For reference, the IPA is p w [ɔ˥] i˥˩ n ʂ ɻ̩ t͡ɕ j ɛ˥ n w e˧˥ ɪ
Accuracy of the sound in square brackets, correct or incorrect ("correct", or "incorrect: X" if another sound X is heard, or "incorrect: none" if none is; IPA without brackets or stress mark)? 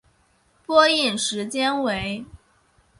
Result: correct